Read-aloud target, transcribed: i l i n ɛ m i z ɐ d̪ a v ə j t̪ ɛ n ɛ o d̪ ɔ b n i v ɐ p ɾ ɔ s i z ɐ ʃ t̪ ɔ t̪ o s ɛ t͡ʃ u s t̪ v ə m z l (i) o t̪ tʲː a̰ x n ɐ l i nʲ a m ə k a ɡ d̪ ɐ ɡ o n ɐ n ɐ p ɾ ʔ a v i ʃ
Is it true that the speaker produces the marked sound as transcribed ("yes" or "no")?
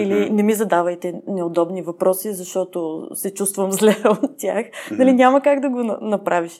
no